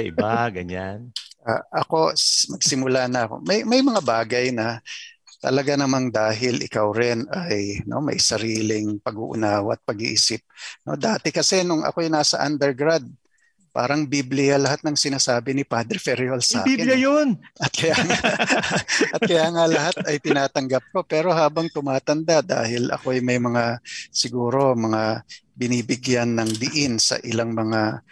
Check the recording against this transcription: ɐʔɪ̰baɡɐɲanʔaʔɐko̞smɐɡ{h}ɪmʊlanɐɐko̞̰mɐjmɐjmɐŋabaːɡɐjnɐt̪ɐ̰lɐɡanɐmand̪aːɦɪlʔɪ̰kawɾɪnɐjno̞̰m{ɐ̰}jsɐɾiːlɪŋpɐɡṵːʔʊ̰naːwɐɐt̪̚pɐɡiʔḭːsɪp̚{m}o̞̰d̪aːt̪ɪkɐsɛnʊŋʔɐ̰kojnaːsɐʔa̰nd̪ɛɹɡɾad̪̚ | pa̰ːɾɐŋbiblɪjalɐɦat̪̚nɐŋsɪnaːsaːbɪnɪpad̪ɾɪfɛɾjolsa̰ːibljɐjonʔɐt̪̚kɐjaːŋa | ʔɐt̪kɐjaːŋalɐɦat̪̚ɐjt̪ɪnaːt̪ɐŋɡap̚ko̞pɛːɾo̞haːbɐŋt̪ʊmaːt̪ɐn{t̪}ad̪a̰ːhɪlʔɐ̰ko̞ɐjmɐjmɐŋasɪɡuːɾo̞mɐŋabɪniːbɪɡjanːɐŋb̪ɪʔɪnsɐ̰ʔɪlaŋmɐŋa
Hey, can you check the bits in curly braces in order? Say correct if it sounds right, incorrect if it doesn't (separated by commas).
incorrect, correct, incorrect, incorrect